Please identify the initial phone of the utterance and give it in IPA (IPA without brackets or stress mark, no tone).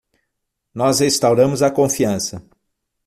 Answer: n